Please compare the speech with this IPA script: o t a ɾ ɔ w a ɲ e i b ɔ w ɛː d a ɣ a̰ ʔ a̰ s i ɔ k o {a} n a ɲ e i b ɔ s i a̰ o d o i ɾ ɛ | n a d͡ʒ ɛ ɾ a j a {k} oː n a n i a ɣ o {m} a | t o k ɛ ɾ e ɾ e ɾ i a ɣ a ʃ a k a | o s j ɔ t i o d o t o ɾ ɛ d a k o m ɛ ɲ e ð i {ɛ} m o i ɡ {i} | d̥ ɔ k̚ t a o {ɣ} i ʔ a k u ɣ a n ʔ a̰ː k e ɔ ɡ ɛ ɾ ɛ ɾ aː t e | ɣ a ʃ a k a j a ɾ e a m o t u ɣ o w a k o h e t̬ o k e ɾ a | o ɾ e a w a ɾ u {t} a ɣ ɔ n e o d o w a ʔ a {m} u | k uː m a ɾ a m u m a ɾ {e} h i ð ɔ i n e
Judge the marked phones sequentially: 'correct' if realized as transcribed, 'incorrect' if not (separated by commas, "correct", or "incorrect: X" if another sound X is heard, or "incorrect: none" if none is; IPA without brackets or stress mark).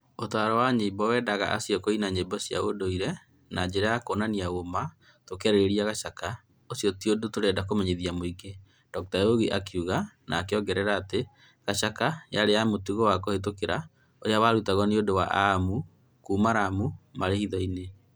incorrect: i, correct, correct, incorrect: a, incorrect: e, correct, correct, correct, correct